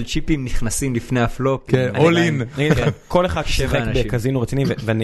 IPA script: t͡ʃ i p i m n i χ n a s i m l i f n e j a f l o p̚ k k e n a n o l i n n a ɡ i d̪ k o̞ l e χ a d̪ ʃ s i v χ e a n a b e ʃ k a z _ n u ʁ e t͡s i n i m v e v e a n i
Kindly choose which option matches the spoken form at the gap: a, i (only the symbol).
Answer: i